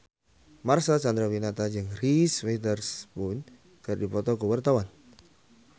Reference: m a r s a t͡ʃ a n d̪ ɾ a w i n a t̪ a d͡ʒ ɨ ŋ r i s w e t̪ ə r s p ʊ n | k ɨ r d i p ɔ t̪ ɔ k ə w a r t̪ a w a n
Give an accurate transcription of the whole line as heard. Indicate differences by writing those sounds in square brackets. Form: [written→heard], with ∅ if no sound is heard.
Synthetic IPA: m a r s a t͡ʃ a n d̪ ɾ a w i n a t̪ a d͡ʒ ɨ ŋ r i s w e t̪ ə r s p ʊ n | k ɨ r d i p ɔ t̪ ɔ k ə w a r t̪ a w a n